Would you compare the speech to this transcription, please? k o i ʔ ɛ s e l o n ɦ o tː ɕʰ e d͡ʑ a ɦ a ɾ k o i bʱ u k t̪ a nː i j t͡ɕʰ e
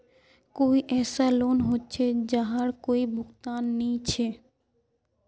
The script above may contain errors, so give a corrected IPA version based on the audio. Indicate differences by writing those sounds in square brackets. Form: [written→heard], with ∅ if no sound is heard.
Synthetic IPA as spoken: k o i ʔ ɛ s [e→a] l o n ɦ o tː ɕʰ e d͡ʑ a ɦ a ɾ k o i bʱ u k t̪ a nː i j t͡ɕʰ e